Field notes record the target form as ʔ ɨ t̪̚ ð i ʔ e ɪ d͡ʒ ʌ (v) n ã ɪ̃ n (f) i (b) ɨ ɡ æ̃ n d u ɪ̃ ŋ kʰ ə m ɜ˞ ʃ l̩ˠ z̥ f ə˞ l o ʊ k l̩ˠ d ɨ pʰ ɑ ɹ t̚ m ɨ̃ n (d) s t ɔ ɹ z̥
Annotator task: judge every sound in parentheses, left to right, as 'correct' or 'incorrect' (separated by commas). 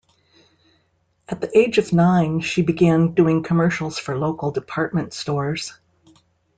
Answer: correct, incorrect, correct, incorrect